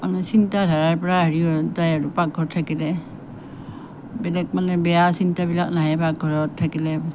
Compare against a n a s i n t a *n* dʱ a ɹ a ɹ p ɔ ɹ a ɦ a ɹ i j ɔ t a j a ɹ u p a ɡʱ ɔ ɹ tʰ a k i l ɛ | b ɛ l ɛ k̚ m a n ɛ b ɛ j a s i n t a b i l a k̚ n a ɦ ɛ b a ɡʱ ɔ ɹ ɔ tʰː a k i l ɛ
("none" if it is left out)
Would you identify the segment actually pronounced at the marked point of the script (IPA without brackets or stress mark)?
none